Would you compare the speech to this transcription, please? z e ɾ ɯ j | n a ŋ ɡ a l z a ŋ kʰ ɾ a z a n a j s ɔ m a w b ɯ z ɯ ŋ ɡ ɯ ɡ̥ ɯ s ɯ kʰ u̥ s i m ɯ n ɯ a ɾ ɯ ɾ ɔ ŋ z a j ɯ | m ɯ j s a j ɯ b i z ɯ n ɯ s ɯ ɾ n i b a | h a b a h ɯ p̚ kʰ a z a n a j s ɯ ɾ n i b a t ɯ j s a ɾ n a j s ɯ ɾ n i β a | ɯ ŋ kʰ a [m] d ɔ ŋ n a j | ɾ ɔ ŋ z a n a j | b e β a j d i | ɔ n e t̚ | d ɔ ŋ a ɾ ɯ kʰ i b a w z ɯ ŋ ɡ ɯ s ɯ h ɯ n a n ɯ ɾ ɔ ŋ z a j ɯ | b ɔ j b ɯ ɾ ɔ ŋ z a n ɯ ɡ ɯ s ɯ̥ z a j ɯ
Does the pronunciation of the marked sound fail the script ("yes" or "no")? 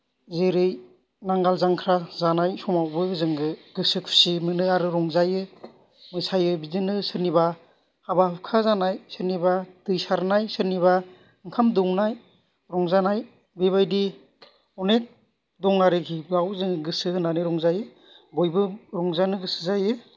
no